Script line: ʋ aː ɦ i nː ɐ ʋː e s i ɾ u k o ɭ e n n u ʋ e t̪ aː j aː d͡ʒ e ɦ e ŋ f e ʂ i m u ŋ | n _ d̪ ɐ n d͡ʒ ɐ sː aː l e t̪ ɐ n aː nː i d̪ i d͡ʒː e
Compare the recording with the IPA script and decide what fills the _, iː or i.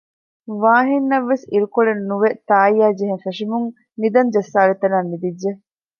i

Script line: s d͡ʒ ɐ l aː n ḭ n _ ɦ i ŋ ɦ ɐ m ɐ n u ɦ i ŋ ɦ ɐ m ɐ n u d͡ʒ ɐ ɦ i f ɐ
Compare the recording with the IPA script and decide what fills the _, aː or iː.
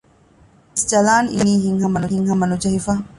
iː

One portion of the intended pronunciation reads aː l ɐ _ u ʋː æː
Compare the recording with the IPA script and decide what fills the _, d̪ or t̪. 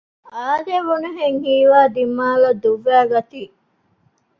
d̪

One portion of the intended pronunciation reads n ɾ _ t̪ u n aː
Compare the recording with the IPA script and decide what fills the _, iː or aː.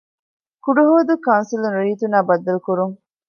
iː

